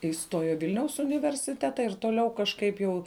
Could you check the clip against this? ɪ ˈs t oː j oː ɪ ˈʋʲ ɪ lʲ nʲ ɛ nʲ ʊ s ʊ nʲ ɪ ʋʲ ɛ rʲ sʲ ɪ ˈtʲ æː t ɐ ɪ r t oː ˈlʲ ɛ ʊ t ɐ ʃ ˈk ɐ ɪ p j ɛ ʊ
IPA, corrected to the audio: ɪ ˈs t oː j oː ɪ ˈʋʲ ɪ lʲ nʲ ɛ ʊ s ʊ nʲ ɪ ʋʲ ɛ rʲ sʲ ɪ ˈtʲ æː t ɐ ɪ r t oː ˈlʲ ɛ ʊ k ɐ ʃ ˈk ɐ ɪ p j ɛ ʊ